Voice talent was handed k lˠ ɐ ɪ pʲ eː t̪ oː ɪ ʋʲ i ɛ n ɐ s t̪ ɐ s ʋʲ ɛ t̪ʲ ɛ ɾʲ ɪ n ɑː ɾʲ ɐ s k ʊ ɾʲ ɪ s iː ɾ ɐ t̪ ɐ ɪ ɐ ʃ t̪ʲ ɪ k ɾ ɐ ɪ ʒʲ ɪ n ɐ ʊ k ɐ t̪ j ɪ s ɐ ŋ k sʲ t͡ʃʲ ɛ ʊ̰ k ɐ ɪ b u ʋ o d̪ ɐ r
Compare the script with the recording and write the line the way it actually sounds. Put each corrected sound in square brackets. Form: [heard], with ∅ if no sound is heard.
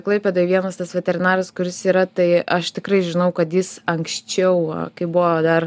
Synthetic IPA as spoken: k lˠ ɐ ɪ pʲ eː [d̪] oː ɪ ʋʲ i ɛ n ɐ s t̪ ɐ s ʋʲ ɛ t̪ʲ ɛ ɾʲ ɪ n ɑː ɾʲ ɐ s k ʊ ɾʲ ɪ s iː ɾ ɐ t̪ ɐ ɪ ɐ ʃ t̪ʲ ɪ k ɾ ɐ ɪ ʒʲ ɪ n ɐ ʊ k ɐ t̪ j ɪ s ɐ ŋ k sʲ t͡ʃʲ ɛ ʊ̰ k ɐ ɪ b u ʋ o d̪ ɐ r

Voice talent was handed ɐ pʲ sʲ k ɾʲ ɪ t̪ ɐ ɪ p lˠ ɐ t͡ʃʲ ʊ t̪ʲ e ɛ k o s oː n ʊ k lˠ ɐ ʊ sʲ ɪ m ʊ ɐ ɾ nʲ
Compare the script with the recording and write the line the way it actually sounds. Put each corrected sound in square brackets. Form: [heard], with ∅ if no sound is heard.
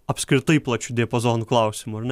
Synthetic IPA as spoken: ɐ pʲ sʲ k ɾʲ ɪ t̪ ɐ ɪ p lˠ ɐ t͡ʃʲ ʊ [d̪ʲ] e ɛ [p] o [z] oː n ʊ k lˠ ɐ ʊ sʲ ɪ m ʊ ɐ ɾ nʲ

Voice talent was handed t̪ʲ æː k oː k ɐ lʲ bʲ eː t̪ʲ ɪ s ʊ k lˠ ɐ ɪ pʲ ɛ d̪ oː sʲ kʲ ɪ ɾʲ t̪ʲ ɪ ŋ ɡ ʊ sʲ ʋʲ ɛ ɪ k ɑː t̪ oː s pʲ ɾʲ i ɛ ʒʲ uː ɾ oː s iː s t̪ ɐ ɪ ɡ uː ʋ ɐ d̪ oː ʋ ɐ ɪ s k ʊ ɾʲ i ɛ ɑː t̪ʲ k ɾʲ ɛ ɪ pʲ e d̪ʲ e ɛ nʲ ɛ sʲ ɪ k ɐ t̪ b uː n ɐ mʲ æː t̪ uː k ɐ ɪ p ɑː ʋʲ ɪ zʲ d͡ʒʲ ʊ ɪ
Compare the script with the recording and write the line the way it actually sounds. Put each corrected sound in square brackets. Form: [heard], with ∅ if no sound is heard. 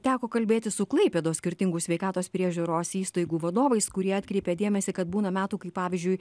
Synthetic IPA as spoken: t̪ʲ æː k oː k ɐ lʲ bʲ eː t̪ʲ ɪ s ʊ k lˠ ɐ ɪ pʲ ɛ d̪ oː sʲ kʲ ɪ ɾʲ t̪ʲ ɪ ŋ ɡ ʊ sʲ ʋʲ ɛ ɪ k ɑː t̪ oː s pʲ ɾʲ i ɛ ʒʲ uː ɾ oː s iː s t̪ ɐ ɪ ɡ uː ʋ ɐ d̪ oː ʋ ɐ ɪ s k ʊ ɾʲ i ɛ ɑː t̪ʲ k ɾʲ ɛ ɪ pʲ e d̪ʲ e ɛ [mʲ] ɛ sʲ ɪ k ɐ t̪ b uː n ɐ mʲ æː t̪ uː k ɐ ɪ p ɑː ʋʲ ɪ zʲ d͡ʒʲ ʊ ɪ

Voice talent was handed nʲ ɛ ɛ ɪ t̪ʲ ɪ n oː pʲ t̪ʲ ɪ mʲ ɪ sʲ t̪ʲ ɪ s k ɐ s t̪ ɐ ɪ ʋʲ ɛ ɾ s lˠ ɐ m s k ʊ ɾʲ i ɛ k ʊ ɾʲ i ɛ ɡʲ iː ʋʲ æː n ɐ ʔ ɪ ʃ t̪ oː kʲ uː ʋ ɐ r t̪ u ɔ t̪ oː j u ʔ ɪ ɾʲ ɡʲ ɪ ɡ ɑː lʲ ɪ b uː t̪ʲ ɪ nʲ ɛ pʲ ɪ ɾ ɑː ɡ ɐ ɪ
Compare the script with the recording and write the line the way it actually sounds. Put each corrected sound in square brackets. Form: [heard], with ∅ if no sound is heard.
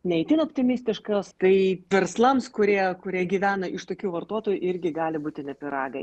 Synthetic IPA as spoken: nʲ ɛ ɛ ɪ t̪ʲ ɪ n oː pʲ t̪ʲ ɪ mʲ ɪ sʲ t̪ʲ ɪ [ʃ] k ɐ s t̪ ɐ ɪ ʋʲ ɛ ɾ s lˠ ɐ m s k ʊ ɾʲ i ɛ k ʊ ɾʲ i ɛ ɡʲ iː ʋʲ æː n ɐ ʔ ɪ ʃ t̪ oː kʲ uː ʋ ɐ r t̪ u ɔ t̪ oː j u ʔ ɪ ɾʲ ɡʲ ɪ ɡ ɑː lʲ ɪ b uː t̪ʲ ɪ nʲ ɛ pʲ ɪ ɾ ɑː ɡ ɐ ɪ

